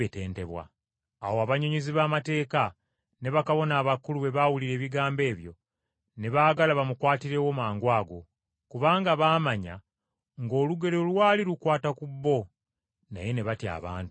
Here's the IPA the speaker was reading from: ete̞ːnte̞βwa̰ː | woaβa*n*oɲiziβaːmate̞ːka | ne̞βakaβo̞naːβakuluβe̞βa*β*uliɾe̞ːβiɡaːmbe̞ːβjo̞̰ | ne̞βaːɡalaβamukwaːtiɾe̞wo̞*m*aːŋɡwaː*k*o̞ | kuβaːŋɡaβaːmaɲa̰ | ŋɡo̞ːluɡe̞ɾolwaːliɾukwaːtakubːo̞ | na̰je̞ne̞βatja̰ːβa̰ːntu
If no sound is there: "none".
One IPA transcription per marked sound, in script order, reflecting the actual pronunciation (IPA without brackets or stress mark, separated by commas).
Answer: ɲ, w, m, ɡ